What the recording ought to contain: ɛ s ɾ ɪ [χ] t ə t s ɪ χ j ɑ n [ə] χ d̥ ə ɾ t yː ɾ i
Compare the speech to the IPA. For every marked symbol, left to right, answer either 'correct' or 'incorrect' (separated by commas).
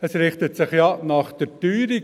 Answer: correct, incorrect